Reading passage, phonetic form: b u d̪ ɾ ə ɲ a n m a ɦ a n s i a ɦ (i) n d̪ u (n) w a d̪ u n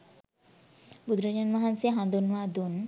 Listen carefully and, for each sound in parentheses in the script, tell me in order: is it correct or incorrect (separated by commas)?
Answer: incorrect, correct